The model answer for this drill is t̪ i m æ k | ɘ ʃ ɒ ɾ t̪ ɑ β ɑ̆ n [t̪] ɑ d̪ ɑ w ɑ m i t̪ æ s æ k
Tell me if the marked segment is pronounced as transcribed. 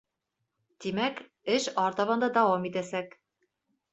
no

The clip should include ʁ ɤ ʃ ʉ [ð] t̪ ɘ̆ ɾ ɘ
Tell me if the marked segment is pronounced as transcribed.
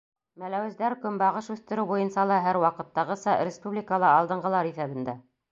no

